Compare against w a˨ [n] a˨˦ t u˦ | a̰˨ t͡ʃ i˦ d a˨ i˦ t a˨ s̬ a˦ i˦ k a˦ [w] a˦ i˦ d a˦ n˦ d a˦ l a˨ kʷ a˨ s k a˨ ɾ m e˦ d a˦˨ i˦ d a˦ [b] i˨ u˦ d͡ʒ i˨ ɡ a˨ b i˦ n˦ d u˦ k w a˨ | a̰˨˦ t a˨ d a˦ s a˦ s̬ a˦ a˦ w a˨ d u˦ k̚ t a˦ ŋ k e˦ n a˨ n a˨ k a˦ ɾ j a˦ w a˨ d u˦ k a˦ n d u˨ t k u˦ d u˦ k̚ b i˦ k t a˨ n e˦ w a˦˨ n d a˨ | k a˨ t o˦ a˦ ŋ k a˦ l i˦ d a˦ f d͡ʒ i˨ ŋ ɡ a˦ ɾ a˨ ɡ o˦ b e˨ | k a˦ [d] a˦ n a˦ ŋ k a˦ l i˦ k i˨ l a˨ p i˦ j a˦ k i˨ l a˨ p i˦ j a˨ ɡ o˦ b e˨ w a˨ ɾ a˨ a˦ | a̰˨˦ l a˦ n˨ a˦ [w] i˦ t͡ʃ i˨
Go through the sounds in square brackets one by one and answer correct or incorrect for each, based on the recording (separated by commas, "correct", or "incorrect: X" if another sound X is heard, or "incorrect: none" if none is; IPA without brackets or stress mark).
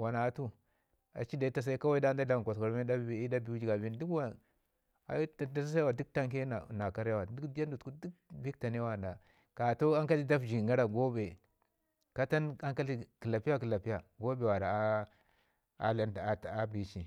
correct, correct, correct, incorrect: t, incorrect: b